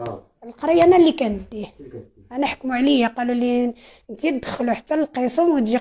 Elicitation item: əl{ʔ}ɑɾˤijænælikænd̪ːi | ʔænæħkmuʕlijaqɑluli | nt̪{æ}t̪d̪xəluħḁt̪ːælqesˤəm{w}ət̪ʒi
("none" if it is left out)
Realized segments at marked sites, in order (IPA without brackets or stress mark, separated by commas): q, i, w